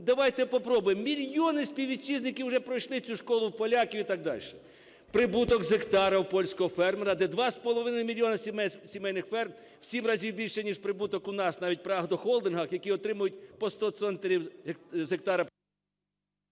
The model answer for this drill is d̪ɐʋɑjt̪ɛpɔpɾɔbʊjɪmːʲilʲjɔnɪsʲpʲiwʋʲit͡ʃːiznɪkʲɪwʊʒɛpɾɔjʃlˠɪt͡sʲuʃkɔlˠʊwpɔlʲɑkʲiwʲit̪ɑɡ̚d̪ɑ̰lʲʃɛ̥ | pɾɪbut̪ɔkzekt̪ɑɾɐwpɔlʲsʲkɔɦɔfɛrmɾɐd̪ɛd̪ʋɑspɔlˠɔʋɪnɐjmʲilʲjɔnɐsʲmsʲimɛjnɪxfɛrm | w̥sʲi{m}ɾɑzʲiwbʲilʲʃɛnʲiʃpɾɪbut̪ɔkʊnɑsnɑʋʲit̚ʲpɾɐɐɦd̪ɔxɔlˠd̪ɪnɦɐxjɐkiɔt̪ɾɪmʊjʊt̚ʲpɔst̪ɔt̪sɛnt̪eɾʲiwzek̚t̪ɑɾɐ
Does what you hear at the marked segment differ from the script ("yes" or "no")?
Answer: no